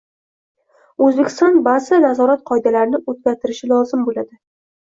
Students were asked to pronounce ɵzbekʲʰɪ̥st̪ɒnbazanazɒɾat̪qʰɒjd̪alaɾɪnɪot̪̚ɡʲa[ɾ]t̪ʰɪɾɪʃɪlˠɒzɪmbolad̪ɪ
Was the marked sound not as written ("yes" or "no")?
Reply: no